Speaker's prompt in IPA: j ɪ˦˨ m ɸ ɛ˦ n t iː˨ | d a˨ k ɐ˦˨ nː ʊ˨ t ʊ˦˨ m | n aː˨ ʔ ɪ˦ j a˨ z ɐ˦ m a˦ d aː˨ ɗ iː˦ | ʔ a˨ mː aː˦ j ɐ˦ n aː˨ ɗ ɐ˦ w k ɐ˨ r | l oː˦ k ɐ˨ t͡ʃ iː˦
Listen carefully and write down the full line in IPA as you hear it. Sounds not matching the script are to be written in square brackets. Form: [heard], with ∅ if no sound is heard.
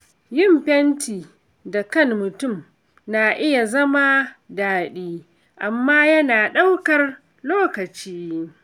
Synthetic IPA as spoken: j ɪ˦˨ m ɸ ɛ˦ n t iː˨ | d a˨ k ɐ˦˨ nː ʊ˨ t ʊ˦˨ m | n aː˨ ʔ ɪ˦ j a˨ z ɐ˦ m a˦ d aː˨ ɗ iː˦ | ʔ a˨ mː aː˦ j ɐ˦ n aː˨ ɗ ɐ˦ w k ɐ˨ r | l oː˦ k ɐ˨ t͡ʃ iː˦

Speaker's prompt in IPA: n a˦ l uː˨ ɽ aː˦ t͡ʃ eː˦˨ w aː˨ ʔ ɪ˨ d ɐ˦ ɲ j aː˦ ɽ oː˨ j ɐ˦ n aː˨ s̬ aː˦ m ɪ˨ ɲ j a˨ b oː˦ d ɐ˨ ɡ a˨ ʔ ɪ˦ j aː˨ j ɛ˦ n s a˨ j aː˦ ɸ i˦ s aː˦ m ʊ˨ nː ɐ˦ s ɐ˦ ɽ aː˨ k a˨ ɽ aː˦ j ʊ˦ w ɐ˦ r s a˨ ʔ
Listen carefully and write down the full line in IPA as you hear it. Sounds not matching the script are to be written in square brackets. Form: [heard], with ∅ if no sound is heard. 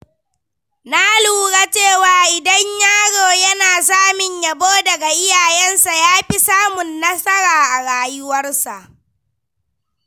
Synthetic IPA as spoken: n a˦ l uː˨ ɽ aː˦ t͡ʃ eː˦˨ w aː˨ ʔ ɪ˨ d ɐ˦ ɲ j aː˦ ɽ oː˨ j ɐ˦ n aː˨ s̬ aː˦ m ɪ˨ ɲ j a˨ b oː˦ d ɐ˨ ɡ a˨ ʔ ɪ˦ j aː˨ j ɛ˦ n s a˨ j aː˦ ɸ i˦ s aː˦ m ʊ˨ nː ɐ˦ s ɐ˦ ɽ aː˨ [ʔ] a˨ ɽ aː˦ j ʊ˦ w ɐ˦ r s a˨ ʔ

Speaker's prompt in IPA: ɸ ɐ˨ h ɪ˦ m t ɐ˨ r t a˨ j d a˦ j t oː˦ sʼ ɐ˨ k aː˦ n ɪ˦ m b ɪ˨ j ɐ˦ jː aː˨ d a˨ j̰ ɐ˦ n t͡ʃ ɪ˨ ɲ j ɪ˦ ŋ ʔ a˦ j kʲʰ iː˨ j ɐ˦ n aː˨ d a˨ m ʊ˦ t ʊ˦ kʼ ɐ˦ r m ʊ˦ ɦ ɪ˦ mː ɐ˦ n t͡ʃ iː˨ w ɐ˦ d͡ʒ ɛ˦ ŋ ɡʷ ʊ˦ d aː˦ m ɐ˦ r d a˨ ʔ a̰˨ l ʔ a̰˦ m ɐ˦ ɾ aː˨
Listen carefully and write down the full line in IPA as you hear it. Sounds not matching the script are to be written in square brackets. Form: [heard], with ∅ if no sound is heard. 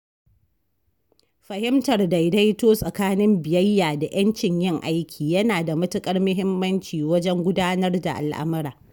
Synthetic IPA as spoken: ɸ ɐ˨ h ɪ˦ m t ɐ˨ r [d] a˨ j d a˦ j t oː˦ sʼ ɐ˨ k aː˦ n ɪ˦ m b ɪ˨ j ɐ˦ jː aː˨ d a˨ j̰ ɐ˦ n t͡ʃ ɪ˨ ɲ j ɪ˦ ŋ ʔ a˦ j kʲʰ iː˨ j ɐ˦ n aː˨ d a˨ m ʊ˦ t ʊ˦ kʼ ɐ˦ r m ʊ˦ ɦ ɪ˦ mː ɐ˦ n t͡ʃ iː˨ w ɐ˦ d͡ʒ ɛ˦ ŋ ɡʷ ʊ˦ d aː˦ [n] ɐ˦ r d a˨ ʔ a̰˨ l ʔ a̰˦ m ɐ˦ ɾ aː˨

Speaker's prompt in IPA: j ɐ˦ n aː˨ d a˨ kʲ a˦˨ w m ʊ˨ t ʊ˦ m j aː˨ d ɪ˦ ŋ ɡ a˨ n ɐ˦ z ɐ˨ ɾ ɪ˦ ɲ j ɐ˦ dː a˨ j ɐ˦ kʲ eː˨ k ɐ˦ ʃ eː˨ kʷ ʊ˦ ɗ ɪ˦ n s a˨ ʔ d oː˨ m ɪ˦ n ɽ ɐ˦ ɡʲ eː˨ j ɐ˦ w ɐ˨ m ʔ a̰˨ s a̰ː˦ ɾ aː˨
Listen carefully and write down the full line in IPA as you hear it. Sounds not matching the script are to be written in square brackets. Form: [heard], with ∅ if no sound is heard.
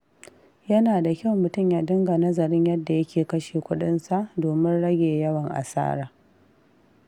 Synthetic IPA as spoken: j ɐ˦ n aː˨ d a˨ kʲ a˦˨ w m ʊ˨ t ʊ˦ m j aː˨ d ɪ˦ ŋ ɡ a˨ n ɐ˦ z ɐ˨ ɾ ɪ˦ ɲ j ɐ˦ dː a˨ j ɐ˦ kʲ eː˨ k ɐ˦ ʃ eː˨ kʷ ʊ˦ ɗ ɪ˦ n s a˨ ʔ d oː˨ m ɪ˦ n ɽ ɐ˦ ɡʲ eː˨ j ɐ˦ w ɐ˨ [ŋ] ʔ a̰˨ s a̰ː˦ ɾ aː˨

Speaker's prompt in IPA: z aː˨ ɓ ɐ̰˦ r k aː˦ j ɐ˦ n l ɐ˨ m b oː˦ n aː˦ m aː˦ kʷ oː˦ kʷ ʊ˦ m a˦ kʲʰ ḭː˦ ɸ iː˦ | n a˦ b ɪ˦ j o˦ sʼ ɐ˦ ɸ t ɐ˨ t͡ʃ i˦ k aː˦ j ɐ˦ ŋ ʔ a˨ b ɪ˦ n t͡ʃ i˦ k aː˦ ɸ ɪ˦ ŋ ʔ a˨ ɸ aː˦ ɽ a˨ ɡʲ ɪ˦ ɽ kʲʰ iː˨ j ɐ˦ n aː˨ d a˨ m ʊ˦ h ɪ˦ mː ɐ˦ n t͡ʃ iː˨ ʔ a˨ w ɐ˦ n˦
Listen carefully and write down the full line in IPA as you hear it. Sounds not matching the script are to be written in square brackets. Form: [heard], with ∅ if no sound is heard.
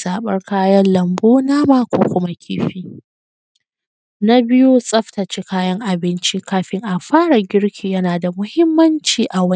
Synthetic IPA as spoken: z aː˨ ɓ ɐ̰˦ r k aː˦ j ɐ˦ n l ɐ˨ m b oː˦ n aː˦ m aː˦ kʷ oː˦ kʷ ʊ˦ m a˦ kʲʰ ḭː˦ ɸ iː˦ | n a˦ b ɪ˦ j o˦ sʼ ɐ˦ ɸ t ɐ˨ t͡ʃ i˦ k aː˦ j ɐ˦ ŋ ʔ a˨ b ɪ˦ n t͡ʃ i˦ k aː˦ ɸ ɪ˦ ŋ ʔ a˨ ɸ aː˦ ɽ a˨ ɡʲ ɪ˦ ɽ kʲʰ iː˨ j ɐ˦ n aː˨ d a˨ m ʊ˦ h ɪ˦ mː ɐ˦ n t͡ʃ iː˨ ʔ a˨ w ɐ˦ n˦

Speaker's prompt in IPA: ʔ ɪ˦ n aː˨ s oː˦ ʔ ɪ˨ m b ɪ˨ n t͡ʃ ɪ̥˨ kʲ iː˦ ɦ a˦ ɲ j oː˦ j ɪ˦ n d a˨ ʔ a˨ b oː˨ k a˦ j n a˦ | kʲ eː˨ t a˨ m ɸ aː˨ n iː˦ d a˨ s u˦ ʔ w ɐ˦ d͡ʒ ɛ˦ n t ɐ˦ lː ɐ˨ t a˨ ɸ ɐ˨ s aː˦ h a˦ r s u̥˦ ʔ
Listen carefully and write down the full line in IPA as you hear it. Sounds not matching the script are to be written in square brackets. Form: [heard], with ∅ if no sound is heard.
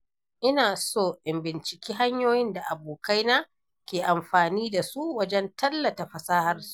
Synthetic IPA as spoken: ʔ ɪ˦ n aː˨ s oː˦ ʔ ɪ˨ m b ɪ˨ n t͡ʃ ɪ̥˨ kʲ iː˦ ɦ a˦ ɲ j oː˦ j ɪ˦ n d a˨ ʔ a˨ b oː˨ k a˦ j n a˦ | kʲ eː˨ [ʔ] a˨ m ɸ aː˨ n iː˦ d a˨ s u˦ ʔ w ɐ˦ d͡ʒ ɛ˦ n t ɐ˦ lː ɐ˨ t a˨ ɸ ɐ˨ s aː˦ h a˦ r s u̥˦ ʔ

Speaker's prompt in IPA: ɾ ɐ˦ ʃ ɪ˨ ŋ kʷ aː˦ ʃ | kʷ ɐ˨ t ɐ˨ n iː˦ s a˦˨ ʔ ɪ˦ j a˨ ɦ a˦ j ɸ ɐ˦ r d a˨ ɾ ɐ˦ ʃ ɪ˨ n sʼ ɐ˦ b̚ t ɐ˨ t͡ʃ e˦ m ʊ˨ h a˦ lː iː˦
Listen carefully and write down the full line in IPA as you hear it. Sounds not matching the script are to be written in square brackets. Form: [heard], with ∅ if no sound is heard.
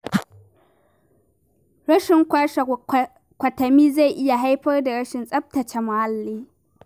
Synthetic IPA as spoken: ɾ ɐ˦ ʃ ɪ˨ ŋ kʷ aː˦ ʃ | kʷ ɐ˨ t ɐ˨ [m] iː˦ [z] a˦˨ ʔ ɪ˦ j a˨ ɦ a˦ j ɸ ɐ˦ r d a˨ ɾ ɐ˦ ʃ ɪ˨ n sʼ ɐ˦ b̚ t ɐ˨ t͡ʃ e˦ m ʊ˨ h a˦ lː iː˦

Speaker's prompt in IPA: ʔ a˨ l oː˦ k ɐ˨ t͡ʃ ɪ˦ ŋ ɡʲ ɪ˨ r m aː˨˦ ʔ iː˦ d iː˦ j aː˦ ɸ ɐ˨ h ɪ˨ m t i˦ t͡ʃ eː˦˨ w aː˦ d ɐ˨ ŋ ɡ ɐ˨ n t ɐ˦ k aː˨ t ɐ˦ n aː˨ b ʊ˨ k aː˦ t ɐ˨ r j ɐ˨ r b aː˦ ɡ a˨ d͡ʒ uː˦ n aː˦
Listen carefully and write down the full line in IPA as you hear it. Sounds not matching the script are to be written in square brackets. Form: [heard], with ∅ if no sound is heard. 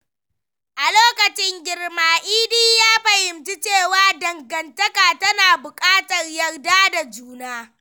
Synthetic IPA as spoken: ʔ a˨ l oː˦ k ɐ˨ t͡ʃ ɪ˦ ŋ ɡʲ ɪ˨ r m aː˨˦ ʔ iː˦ d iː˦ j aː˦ ɸ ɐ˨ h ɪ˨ m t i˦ t͡ʃ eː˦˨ w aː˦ d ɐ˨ ŋ ɡ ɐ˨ n t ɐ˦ k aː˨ t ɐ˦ n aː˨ b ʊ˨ [kʼ] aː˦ t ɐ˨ r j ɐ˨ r [d] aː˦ [d] a˨ d͡ʒ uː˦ n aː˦

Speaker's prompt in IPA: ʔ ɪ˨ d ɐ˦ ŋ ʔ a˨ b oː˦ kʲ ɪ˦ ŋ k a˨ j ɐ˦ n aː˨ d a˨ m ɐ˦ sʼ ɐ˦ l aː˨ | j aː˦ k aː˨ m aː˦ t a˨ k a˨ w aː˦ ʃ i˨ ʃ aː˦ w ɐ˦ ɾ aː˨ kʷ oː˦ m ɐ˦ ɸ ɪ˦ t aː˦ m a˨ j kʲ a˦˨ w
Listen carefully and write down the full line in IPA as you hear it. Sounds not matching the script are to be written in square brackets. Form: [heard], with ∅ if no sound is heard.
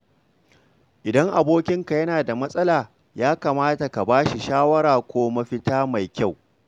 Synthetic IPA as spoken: ʔ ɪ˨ d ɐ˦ ŋ ʔ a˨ b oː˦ kʲ ɪ˦ ŋ k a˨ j ɐ˦ n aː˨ d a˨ m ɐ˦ sʼ ɐ˦ l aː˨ | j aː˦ k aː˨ m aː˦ t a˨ k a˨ [b] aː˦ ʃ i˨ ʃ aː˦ w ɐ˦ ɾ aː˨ kʷ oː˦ m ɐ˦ ɸ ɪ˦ t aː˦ m a˨ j kʲ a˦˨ w

